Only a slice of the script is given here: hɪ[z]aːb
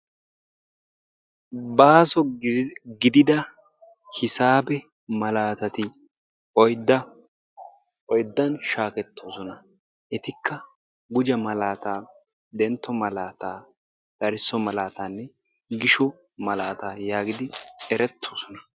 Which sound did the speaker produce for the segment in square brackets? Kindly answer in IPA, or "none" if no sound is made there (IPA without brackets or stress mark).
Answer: s